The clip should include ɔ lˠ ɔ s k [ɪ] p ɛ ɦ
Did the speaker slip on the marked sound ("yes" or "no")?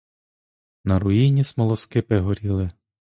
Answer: no